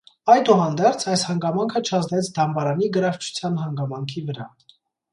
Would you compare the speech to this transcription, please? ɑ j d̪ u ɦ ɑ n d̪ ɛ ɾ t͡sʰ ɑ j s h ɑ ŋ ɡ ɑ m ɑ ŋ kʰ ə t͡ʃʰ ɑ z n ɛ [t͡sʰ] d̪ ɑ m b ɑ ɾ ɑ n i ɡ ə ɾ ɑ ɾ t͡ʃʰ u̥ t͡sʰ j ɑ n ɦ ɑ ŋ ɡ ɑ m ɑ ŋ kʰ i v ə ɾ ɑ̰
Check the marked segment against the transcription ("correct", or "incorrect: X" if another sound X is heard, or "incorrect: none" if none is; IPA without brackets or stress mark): correct